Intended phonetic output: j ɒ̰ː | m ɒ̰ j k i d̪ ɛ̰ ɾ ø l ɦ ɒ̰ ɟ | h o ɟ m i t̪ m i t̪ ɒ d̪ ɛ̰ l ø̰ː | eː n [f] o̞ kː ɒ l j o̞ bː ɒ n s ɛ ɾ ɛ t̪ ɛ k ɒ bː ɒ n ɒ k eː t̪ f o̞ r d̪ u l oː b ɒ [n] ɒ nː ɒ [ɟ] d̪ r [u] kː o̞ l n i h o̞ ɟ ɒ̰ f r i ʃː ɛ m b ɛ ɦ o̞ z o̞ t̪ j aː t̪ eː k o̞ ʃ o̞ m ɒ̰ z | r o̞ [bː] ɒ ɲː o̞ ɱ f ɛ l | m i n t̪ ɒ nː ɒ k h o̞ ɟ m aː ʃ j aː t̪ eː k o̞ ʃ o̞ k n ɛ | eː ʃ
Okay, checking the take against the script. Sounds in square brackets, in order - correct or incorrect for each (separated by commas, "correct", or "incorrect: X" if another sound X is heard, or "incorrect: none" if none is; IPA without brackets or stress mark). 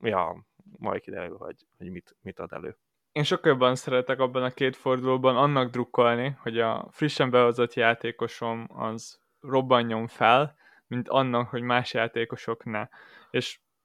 incorrect: ʃ, correct, incorrect: ɡ, correct, correct